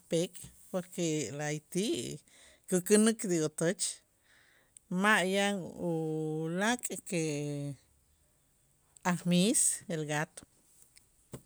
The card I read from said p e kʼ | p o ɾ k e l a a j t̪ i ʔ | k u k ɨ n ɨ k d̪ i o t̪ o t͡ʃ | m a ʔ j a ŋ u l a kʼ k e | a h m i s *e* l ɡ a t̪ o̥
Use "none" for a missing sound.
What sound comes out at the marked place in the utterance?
e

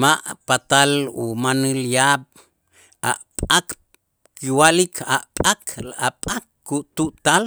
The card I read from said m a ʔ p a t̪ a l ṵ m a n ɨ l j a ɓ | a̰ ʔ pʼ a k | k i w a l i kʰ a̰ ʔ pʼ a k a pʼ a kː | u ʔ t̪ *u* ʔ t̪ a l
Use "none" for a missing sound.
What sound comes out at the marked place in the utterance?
u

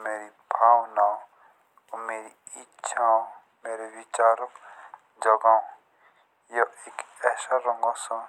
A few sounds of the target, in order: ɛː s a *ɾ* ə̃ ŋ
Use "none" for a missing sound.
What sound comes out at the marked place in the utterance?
ɾ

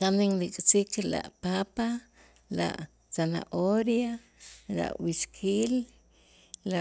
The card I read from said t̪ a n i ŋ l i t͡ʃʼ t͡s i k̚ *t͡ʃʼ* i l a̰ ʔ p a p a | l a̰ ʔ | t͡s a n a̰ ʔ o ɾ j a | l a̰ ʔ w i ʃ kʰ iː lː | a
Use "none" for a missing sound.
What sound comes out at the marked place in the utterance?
t͡ʃ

